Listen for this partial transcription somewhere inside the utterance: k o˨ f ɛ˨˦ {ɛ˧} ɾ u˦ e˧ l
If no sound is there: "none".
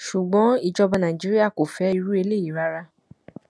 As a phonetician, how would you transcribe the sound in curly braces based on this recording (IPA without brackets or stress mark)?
i˧